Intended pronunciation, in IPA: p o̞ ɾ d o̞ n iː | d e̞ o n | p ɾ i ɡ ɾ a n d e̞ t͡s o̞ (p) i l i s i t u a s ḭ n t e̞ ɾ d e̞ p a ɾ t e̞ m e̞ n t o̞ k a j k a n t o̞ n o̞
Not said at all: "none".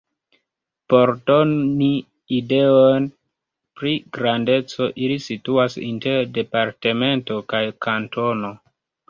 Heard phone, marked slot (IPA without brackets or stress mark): ʔ